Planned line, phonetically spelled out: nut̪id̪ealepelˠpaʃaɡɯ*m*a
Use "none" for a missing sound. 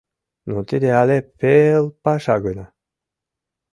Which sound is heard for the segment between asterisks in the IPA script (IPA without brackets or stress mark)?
n